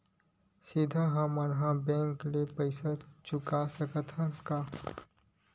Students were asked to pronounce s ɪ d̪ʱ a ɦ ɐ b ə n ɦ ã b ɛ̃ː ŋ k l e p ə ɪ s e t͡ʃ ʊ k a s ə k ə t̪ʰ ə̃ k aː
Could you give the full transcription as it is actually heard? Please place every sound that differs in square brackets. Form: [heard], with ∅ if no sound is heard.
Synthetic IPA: s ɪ d̪ʱ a ɦ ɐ [m] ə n ɦ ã b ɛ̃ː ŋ k l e p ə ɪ s [a] t͡ʃ ʊ k a s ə k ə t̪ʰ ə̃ k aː